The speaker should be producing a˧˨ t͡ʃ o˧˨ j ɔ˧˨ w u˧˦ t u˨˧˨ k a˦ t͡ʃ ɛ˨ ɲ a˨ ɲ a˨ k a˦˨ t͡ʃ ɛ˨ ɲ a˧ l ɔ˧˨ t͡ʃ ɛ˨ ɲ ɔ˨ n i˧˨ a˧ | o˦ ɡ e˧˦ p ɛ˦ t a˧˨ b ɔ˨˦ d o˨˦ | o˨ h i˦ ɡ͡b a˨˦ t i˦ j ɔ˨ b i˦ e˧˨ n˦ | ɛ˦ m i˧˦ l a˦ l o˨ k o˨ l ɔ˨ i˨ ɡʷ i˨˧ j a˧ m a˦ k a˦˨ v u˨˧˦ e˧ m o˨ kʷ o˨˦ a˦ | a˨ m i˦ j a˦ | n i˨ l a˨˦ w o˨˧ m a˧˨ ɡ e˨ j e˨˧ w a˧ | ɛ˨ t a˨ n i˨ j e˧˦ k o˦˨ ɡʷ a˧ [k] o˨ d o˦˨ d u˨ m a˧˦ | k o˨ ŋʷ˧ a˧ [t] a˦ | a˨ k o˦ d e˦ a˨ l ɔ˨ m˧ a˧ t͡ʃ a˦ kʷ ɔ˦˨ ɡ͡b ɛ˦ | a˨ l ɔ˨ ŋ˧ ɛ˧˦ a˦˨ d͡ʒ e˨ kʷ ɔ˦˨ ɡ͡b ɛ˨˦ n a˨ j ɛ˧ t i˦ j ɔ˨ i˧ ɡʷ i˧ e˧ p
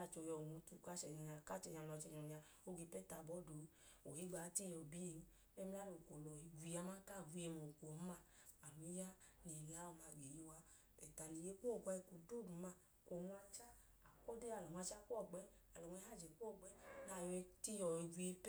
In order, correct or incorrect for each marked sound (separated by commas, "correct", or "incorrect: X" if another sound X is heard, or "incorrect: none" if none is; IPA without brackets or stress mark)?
correct, incorrect: t͡ʃ